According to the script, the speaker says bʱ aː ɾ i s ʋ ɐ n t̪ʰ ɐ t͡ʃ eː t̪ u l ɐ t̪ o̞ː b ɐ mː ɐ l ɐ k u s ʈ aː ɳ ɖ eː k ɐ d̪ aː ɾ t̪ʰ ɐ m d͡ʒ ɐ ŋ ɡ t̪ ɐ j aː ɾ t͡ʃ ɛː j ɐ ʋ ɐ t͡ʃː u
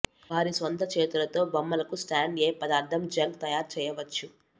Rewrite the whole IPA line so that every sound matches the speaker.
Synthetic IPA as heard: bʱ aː ɾ i s ʋ ɐ n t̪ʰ ɐ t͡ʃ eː t̪ u l ɐ t̪ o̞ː b ɐ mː ɐ l ɐ k u s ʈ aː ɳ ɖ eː p ɐ d̪ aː ɾ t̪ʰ ɐ m d͡ʒ ɐ ŋ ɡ t̪ ɐ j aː ɾ t͡ʃ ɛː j ɐ ʋ ɐ t͡ʃː u